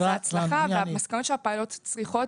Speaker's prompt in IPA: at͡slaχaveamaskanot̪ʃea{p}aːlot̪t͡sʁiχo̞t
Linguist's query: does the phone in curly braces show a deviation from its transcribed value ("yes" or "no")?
no